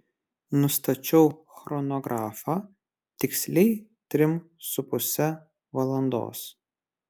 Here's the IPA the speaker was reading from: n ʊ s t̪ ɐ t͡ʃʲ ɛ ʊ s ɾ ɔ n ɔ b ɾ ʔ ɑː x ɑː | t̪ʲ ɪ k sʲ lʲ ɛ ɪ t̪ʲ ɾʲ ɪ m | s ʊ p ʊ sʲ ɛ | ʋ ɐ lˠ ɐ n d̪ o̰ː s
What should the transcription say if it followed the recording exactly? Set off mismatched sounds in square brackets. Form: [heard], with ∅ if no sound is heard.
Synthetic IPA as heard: n ʊ s t̪ ɐ t͡ʃʲ ɛ ʊ [x] ɾ ɔ n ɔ [ɡ] ɾ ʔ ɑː [f] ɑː | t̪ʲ ɪ k sʲ lʲ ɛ ɪ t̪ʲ ɾʲ ɪ m | s ʊ p ʊ sʲ ɛ | ʋ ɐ lˠ ɐ n d̪ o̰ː s